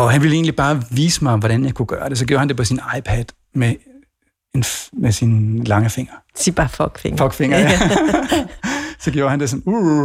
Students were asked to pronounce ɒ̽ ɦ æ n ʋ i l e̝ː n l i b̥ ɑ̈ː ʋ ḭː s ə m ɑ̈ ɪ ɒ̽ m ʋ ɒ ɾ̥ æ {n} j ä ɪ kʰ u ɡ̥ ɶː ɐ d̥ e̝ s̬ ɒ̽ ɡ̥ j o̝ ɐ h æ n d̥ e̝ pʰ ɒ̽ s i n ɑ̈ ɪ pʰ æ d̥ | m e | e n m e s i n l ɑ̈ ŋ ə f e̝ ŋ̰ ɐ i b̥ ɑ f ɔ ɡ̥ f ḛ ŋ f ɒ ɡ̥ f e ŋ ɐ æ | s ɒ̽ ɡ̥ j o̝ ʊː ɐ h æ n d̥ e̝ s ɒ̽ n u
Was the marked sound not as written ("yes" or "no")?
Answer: no